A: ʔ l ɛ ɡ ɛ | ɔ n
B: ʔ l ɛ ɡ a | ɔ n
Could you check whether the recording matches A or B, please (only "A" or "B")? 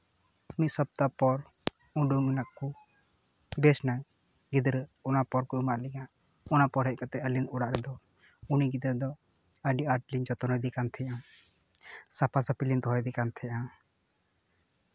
B